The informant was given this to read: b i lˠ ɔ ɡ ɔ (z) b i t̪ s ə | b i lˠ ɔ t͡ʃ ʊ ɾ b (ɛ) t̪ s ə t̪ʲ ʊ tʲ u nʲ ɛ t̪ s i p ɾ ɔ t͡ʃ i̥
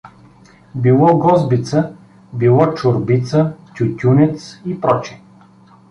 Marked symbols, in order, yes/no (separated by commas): yes, no